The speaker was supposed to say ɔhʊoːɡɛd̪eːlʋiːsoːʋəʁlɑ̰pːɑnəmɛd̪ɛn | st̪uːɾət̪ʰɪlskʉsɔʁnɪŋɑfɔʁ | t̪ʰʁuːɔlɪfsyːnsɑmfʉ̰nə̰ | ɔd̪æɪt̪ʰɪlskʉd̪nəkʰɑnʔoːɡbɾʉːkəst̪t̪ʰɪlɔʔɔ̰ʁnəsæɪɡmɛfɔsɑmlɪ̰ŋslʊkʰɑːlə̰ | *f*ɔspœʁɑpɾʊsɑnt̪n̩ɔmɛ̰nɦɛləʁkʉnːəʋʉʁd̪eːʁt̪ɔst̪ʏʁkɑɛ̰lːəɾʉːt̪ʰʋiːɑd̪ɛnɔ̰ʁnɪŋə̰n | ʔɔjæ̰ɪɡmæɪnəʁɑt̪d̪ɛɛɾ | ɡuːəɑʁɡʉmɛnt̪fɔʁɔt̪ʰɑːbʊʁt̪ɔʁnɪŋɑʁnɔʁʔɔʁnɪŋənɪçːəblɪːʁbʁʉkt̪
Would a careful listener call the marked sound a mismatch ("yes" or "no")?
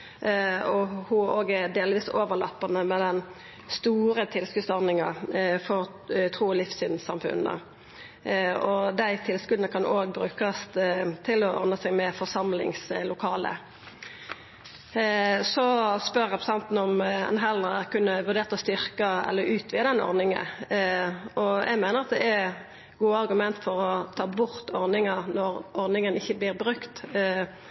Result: yes